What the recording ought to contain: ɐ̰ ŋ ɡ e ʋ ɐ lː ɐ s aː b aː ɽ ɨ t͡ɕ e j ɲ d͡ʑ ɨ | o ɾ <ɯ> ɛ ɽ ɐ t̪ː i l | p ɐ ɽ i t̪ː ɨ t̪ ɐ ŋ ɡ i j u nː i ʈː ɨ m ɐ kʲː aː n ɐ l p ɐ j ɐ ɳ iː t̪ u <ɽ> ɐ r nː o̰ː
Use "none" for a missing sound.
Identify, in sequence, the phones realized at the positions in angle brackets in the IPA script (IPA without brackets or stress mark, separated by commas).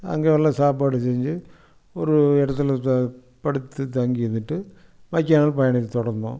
u, ɽ